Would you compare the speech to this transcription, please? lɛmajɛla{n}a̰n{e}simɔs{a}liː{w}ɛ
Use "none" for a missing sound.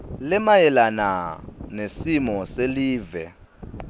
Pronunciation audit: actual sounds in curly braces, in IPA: n, e, e, v

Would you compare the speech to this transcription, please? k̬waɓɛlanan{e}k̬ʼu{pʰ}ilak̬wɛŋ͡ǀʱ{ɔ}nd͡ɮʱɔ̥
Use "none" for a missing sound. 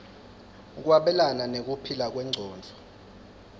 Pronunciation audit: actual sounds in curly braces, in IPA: e, pʰ, ɔː

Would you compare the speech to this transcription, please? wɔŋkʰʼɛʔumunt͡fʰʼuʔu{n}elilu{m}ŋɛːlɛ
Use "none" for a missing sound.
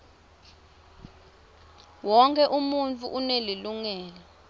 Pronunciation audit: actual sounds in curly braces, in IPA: n, none

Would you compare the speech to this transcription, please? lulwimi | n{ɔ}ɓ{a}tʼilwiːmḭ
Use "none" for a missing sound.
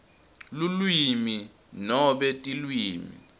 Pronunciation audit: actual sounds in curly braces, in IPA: ɔ, ɛ

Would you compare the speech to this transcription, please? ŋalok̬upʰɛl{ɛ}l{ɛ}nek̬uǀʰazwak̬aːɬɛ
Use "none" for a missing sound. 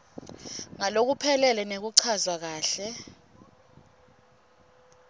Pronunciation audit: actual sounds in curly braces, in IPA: ɛ, ɛ

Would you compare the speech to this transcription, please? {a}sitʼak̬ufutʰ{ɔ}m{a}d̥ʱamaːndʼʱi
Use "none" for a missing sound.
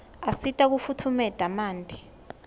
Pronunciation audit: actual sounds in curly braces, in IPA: a, u, ɛ

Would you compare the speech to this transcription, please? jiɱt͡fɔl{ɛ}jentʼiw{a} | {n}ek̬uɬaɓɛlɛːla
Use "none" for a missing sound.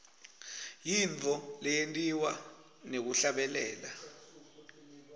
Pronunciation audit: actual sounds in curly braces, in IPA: ɛ, a, n

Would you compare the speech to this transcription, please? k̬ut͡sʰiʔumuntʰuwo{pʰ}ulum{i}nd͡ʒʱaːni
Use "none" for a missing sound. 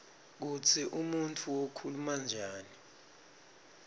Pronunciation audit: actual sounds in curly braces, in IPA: kʰ, a

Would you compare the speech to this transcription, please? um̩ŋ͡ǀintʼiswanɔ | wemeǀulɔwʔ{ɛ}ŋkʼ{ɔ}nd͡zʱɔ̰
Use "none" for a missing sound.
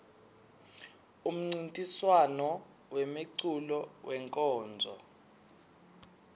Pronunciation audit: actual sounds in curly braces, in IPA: ɛ, ɔː

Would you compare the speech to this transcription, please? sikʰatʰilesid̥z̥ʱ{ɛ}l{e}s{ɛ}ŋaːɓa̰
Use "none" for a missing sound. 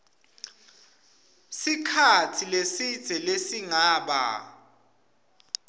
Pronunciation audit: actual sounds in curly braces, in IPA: ɛ, e, i

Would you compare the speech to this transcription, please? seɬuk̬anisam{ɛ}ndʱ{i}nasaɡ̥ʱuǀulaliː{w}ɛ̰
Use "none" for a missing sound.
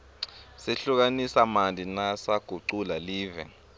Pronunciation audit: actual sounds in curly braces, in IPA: a, i, v

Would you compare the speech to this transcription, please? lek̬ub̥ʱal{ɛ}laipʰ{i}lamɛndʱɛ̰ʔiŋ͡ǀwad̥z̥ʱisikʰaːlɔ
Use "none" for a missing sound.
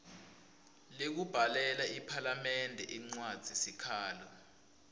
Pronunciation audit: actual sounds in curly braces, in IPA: ɛ, a

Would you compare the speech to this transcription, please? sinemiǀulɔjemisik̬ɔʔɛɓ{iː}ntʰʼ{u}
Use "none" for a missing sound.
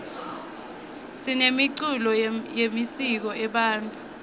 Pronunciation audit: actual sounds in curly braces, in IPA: aː, u

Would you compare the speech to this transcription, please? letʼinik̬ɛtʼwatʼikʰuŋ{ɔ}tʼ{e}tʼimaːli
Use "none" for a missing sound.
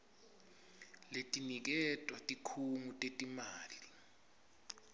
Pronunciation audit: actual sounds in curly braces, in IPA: u, e

